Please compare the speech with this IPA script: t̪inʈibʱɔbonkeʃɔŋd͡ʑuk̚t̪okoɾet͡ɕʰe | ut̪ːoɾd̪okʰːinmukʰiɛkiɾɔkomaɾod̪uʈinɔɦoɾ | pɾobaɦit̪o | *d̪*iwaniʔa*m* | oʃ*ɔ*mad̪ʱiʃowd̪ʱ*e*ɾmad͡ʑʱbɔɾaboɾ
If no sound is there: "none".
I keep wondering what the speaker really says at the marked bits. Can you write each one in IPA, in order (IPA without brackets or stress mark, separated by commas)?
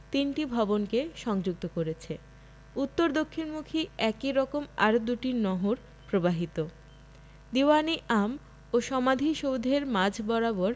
d̪, m, ɔ, e